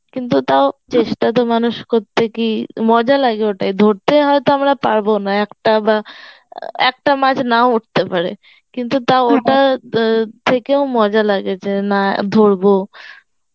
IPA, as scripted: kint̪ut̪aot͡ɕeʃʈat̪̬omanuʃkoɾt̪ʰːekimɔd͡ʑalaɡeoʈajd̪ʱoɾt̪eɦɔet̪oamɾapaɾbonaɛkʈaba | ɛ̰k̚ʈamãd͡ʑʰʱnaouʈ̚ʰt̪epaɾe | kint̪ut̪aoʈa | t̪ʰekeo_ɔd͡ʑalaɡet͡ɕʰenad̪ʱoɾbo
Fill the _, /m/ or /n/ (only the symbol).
m